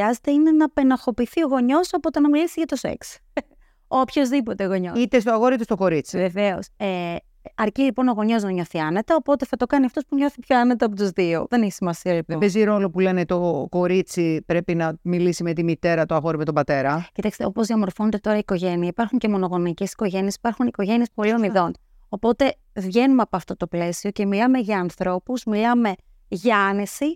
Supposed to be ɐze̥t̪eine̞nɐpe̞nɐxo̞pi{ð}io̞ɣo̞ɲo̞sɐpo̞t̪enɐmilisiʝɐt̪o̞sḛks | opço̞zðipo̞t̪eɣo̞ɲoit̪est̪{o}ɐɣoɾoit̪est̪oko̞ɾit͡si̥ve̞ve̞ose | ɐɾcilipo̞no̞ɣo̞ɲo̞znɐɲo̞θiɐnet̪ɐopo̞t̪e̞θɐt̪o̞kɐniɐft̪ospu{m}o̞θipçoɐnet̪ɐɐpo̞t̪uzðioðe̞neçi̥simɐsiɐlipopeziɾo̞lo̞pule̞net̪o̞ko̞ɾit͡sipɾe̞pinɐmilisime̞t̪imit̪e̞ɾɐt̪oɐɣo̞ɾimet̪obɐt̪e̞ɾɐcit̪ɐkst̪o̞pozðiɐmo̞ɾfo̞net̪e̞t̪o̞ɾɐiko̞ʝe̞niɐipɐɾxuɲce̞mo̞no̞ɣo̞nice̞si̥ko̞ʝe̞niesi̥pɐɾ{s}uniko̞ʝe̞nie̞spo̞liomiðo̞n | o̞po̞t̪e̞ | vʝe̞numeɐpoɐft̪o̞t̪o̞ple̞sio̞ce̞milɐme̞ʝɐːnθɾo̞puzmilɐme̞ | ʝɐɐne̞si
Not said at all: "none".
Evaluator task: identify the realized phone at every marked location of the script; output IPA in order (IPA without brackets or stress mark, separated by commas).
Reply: θ, o, ɲ, x